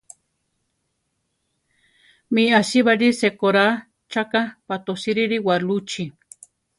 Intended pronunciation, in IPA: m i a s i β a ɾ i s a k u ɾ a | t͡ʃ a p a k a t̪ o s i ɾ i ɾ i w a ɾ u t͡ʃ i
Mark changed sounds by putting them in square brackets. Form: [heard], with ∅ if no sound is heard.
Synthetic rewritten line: m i a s i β a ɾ i s [e] k [o] ɾ a | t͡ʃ a [k] a [p] a t̪ o s i ɾ i ɾ i w a [l] u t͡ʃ i